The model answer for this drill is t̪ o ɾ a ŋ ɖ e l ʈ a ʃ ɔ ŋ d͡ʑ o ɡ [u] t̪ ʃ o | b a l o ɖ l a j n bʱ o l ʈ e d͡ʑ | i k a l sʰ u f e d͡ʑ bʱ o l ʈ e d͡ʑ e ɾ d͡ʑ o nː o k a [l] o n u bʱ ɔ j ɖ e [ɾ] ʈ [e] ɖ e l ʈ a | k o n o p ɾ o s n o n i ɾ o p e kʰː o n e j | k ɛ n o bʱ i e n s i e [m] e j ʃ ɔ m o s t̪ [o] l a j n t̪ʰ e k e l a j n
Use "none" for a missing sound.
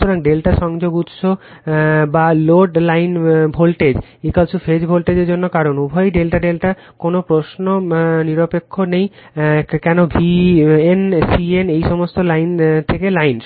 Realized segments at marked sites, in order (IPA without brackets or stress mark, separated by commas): u, ɾ, l, a, n, o